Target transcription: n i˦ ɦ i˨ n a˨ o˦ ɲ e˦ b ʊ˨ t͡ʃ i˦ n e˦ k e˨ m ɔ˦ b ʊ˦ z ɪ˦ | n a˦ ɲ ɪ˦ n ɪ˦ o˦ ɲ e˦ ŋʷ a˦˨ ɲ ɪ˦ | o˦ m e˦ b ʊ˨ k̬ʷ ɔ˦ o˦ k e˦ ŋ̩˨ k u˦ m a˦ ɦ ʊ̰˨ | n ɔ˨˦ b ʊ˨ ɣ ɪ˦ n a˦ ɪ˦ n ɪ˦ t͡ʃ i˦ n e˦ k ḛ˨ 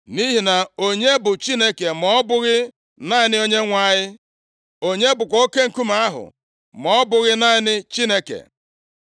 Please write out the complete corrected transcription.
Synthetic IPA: n i˦ ɦ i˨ n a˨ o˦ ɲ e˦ b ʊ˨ t͡ʃ i˦ n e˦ k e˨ m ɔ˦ b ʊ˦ ɣ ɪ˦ | n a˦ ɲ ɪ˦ n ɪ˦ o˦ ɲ e˦ ŋʷ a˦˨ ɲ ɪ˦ | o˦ ɲ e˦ b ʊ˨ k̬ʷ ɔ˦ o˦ k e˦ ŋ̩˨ k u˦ m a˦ ɦ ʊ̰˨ | m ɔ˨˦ b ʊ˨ ɣ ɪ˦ n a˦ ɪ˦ n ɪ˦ t͡ʃ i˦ n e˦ k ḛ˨

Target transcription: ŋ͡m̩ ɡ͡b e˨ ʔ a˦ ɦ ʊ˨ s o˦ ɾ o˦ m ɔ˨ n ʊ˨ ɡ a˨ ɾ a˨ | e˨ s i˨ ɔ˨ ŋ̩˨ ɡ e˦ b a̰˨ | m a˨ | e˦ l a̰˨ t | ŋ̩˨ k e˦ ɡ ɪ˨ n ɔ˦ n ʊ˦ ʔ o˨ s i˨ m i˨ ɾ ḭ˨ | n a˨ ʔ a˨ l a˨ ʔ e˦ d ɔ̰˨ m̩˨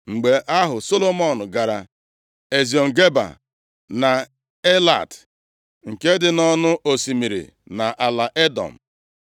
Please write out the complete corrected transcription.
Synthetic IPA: ŋ͡m̩ ɡ͡b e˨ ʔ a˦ ɦ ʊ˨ s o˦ l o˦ m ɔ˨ n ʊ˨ ɡ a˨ ɾ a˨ | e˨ z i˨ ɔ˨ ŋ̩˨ ɡ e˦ b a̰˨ | n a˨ | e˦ l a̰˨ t | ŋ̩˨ k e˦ d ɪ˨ n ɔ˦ n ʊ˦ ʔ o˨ s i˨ m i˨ ɾ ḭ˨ | n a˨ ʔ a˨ l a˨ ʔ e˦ d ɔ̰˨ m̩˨

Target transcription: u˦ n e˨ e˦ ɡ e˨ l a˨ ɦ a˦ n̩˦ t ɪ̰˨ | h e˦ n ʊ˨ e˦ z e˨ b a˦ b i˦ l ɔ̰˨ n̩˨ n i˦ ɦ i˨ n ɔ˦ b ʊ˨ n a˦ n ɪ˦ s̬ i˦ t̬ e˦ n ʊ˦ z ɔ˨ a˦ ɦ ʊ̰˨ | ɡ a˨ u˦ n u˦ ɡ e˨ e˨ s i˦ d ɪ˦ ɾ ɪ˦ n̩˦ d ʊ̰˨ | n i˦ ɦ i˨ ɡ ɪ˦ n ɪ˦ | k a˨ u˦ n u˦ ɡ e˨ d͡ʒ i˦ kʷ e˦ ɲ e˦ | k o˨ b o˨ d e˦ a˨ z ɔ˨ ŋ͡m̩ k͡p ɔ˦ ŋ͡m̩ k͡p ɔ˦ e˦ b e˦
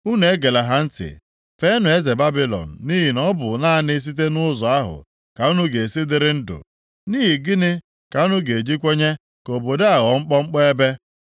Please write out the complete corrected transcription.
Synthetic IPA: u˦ n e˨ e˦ ɡ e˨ l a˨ ɦ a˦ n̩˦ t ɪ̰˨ | f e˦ n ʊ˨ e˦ z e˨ b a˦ b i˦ l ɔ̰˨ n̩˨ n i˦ ɦ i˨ n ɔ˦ b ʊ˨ n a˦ n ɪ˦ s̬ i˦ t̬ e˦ n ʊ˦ z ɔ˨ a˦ ɦ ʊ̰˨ | k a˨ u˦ n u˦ ɡ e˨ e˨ s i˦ d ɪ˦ ɾ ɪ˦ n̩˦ d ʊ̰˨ | n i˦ ɦ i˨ ɡ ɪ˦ n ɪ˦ | k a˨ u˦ n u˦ ɡ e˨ d͡ʒ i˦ kʷ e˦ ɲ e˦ | k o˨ b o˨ d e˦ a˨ ɣ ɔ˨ ŋ͡m̩ k͡p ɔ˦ ŋ͡m̩ k͡p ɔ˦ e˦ b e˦

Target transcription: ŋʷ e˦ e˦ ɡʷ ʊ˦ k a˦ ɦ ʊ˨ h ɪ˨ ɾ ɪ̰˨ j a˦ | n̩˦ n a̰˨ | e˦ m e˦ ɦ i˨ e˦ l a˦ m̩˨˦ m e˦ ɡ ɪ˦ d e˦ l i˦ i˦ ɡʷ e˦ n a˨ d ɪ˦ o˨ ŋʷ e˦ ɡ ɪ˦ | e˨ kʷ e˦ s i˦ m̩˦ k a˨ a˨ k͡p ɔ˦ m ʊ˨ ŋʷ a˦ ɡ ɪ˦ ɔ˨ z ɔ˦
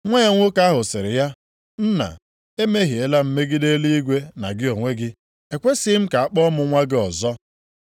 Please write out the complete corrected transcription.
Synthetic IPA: ŋʷ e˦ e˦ ŋʷ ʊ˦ k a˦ ɦ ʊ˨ s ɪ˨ ɾ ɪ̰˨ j a˦ | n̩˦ n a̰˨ | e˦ m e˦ ɦ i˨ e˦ l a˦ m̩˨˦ m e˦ ɡ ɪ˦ d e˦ l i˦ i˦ ɡʷ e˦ n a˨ ɡ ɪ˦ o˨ ŋʷ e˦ ɡ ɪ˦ | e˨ kʷ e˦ s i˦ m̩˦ k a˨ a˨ k͡p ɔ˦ m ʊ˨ ŋʷ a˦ ɡ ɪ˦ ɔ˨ z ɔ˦

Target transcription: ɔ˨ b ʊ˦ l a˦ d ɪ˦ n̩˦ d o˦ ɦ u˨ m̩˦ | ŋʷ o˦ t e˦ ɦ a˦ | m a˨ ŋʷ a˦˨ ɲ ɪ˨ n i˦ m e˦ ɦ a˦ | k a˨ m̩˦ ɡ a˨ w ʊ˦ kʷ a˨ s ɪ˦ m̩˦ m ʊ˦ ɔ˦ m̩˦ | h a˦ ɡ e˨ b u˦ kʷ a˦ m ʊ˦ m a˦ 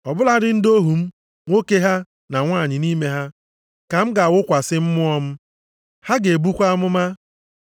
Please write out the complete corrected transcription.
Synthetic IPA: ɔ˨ b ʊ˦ l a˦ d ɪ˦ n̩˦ d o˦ ɦ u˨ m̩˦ | ŋʷ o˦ k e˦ ɦ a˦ | n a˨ ŋʷ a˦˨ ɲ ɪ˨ n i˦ m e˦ ɦ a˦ | k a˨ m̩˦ ɡ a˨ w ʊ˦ kʷ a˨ s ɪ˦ m̩˦ m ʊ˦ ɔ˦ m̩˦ | h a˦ ɡ e˨ b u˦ kʷ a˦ m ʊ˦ m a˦

